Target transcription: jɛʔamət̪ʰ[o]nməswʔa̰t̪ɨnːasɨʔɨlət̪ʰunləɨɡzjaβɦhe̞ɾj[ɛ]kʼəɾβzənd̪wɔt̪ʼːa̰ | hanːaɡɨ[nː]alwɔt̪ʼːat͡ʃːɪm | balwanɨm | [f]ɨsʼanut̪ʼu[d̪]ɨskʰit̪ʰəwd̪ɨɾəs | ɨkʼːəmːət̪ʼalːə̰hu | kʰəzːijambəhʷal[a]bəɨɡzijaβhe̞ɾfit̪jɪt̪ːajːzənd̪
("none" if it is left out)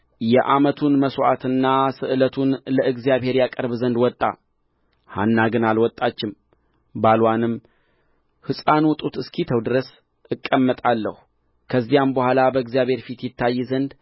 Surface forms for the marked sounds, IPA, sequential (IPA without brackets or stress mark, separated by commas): u, a, n, h, t̪, a